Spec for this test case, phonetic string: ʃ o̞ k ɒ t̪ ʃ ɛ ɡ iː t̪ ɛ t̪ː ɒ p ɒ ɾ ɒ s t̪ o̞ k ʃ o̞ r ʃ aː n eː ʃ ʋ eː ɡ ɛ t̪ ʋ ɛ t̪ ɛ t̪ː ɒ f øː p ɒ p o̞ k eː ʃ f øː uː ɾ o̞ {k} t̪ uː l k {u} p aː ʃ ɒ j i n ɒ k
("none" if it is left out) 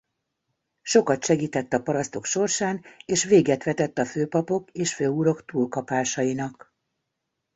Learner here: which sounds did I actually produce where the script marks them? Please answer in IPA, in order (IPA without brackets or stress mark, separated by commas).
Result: k, ɒ